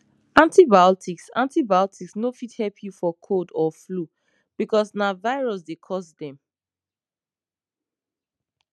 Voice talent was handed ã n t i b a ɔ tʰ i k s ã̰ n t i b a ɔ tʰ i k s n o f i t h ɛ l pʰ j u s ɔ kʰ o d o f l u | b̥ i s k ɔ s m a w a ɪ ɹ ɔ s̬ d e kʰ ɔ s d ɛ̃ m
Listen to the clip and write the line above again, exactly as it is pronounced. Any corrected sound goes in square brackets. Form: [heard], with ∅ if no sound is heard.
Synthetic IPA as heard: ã n t i b a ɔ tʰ i k s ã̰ n t i b a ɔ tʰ i k s n o f i t h ɛ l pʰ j u [f] ɔ kʰ o d [ɔ] f l u | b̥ i [∅] k ɔ s [n] a [v] a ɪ ɹ ɔ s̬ d e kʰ ɔ s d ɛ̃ m

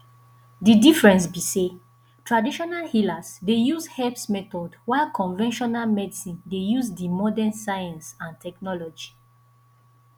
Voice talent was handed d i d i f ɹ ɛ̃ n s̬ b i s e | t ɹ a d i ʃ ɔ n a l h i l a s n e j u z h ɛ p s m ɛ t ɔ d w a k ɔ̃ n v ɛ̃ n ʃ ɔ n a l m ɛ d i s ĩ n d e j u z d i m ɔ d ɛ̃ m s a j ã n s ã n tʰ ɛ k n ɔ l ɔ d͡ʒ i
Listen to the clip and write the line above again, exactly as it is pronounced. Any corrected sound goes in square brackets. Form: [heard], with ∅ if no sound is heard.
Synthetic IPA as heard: d i d i f ɹ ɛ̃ n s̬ b i s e | t ɹ a d i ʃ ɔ n a l h i l a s [d] e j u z h ɛ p s m ɛ t ɔ d w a k ɔ̃ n v ɛ̃ n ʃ ɔ n a l m ɛ d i s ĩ n d e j u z d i m ɔ d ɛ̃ [n] s a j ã n s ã n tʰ ɛ k n ɔ l ɔ d͡ʒ i

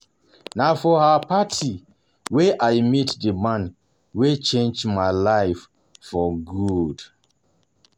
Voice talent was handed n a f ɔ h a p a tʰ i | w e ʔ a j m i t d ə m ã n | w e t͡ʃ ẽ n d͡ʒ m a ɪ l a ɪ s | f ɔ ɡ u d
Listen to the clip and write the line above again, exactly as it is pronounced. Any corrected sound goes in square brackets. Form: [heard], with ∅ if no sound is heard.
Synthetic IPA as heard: n a f ɔ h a p a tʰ i | w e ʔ a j m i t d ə m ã n | w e t͡ʃ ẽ n d͡ʒ m a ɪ l a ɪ [f] | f ɔ ɡ u d

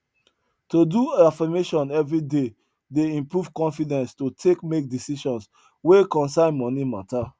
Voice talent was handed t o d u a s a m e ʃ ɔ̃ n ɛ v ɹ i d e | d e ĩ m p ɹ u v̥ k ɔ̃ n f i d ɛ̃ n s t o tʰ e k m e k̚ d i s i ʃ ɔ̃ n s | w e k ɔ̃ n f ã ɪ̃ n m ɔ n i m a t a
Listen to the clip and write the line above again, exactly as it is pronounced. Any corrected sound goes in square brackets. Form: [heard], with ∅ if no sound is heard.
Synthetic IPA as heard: t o d u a [f] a m e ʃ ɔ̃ n ɛ v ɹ i d e | d e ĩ m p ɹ u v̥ k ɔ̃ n f i d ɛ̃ n s t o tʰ e k m e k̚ d i s i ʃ ɔ̃ n s | w e k ɔ̃ n [s] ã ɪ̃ n m ɔ n i m a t a

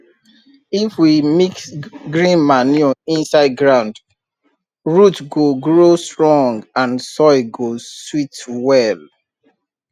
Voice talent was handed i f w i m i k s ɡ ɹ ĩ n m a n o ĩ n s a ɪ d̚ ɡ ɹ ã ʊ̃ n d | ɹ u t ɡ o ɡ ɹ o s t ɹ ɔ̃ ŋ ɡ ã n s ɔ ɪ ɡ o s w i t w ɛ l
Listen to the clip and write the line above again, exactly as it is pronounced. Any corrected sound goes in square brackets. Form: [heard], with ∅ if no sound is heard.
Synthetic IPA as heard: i f w i m i k s ɡ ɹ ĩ n m a n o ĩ n s a ɪ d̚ ɡ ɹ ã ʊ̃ n d | ɹ u t ɡ o ɡ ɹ o s t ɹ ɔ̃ ŋ ɡ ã n s ɔ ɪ ɡ o s w i t w ɛ l

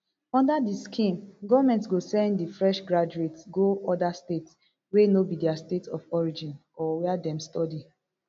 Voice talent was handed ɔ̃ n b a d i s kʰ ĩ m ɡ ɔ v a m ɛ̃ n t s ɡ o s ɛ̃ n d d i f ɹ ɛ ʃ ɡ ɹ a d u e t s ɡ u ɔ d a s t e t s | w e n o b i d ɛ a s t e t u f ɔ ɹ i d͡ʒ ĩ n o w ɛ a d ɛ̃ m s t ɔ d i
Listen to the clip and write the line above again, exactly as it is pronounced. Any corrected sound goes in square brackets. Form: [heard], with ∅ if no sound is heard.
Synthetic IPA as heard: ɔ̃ n [d] a d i s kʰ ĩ m ɡ ɔ v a m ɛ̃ n t s ɡ o s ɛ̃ n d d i f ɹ ɛ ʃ ɡ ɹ a [d͡ʒ] u e t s ɡ [o] ɔ d a s t e t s | w e n o b i d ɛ a s t e t [ɔ] f ɔ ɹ i d͡ʒ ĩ n [ɔ] w ɛ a d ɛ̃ m s t ɔ d i

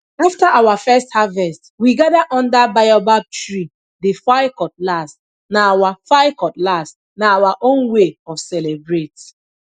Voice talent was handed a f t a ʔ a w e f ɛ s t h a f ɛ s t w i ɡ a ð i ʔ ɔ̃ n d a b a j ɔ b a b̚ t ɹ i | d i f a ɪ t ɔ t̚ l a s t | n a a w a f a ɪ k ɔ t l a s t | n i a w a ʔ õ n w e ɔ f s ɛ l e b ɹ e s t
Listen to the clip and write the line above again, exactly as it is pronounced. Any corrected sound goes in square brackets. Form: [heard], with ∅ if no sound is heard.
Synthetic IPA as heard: a f t a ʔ a w [a] f ɛ s t h a [v] ɛ s t w i ɡ a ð [a] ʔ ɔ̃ n d a b a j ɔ b a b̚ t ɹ i | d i f a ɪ [k] ɔ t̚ l a s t | n a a w a f a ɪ k ɔ t l a s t | n [a] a w a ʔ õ n w e ɔ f s ɛ l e b ɹ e [∅] t

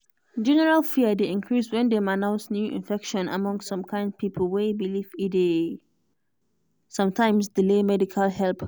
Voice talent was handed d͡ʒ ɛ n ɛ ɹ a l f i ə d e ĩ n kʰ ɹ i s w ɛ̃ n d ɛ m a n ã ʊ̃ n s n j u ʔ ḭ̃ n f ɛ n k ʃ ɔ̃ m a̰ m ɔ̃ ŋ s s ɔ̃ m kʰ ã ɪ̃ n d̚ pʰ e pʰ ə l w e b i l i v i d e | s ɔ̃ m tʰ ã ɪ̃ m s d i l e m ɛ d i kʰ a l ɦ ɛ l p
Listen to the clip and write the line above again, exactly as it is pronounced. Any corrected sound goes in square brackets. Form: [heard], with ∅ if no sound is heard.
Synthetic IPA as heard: d͡ʒ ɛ n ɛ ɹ a l f i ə d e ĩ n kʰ ɹ i s w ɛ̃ n d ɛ m a n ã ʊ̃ n s n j u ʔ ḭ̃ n f ɛ [∅] k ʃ ɔ̃ [n] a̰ m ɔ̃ ŋ s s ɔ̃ m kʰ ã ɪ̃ n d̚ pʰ [i] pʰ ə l w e b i l i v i d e | s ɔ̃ m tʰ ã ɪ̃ m s d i l e m ɛ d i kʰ a l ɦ ɛ l p

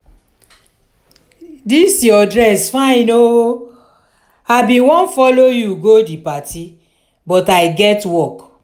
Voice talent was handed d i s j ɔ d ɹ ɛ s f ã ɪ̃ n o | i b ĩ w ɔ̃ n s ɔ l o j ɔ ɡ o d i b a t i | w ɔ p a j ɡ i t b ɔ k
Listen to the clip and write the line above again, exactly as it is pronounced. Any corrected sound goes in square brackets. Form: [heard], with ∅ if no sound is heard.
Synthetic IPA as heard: d i s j ɔ d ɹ ɛ s f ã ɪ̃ n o | [a] b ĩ w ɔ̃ n [f] ɔ l o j [u] ɡ o d i [p] a t i | [b] ɔ [t] a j ɡ [ɛ] t [w] ɔ k

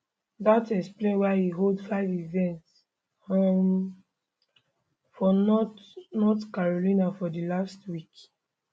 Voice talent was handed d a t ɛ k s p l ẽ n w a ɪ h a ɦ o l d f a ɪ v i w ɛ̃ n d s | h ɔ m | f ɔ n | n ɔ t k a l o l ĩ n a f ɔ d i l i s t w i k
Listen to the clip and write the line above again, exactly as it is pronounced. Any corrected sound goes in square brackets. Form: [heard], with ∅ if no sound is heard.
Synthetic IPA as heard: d a t ɛ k s p l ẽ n w a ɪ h [i] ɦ o l d f a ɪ v i [v] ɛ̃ n [t] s | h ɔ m | f ɔ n | n ɔ t k a [ɹ] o l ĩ n a f ɔ d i l [a] s t w i k

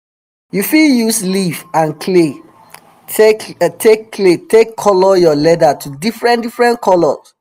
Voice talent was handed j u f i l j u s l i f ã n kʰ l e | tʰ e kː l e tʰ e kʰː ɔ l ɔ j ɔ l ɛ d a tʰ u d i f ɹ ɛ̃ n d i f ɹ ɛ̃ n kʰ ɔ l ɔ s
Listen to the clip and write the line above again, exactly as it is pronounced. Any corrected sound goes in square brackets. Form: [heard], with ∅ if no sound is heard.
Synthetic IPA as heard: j u f i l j u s l i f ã n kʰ l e | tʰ e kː l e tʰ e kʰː ɔ l ɔ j ɔ l ɛ d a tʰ u d i f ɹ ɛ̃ n d i f ɹ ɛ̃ n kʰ ɔ l ɔ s

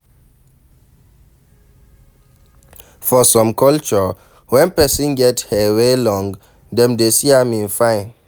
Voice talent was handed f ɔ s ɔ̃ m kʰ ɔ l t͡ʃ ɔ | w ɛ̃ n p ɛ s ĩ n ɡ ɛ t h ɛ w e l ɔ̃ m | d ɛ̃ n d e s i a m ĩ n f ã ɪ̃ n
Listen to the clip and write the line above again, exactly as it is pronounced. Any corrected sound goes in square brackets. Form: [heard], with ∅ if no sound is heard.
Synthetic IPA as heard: f ɔ s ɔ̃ m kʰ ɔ l t͡ʃ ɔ | w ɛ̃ n p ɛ s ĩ n ɡ ɛ t h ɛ w e l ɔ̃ [ŋ] | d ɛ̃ [m] d e s i a m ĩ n f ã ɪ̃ n

